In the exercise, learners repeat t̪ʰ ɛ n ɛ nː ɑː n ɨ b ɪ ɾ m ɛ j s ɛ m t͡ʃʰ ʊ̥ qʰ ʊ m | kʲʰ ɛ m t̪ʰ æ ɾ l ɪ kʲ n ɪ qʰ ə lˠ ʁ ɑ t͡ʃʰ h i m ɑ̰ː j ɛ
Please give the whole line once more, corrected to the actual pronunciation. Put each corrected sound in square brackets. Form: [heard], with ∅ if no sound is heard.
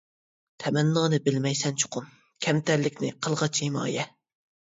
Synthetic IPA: t̪ʰ ɛ [m] ɛ nː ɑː n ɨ b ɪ [l] m ɛ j s ɛ [n] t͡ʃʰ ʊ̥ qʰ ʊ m | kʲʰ ɛ m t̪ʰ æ ɾ l ɪ kʲ n ɪ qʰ ə lˠ ʁ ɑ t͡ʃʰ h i m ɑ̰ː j ɛ